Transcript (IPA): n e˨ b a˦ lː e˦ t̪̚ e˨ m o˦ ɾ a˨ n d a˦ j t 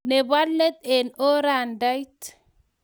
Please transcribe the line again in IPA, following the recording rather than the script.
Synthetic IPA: n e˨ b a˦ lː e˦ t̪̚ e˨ n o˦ ɾ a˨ n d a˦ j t